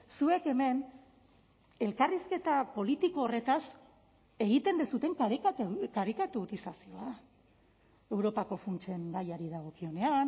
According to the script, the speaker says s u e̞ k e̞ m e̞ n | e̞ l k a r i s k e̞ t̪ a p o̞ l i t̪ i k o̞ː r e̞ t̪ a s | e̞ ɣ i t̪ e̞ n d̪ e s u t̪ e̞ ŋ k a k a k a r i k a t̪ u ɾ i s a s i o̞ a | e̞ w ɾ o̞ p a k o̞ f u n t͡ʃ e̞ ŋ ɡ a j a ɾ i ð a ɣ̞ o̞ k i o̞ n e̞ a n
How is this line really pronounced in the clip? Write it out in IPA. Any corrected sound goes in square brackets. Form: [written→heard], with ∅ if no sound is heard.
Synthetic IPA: s u e̞ k e̞ m e̞ n | e̞ l k a r i s k e̞ t̪ a p o̞ l i t̪ i k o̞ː r e̞ t̪ a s | e̞ ɣ i t̪ e̞ n d̪ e s u t̪ e̞ ŋ k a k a k a [r→ɾ] i k a t̪ u ɾ i s a s i o̞ a | e̞ w ɾ o̞ p a k o̞ f u n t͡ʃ e̞ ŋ ɡ a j a ɾ i ð a ɣ̞ o̞ k i o̞ n e̞ a n